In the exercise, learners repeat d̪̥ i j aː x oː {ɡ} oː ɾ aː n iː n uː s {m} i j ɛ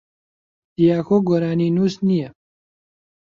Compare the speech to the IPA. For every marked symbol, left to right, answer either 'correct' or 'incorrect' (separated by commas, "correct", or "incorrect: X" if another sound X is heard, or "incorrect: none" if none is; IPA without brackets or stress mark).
correct, incorrect: n